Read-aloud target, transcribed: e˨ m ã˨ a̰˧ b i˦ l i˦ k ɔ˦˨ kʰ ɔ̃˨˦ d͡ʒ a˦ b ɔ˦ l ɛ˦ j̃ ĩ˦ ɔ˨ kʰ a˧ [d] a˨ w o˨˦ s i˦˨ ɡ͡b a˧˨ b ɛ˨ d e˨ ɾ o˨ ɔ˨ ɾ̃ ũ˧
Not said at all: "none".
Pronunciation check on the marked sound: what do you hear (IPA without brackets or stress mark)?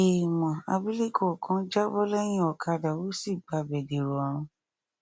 d